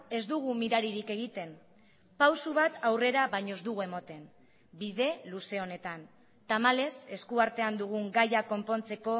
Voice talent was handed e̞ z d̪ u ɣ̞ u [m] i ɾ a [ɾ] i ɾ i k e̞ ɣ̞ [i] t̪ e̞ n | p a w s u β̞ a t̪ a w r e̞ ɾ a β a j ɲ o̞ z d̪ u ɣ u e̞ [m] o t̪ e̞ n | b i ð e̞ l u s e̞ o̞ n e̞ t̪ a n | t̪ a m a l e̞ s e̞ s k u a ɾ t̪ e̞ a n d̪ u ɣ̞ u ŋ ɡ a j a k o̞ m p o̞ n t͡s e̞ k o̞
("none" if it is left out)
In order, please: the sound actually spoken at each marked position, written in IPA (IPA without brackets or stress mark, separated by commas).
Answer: m, ɾ, i, m